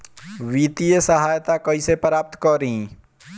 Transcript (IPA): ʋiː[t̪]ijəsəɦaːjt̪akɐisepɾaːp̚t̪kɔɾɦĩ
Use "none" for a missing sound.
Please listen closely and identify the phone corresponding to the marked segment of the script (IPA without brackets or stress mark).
t̪